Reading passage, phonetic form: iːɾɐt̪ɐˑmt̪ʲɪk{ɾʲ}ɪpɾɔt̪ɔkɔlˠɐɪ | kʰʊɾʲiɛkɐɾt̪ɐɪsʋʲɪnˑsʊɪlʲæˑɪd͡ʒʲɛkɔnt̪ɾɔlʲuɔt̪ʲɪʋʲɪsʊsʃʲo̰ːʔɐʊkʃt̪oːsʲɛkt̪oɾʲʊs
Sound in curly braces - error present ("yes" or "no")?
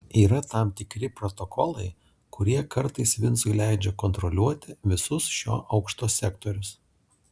no